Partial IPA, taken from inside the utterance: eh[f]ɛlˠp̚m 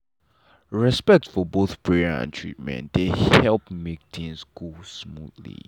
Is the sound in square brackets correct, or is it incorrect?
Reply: incorrect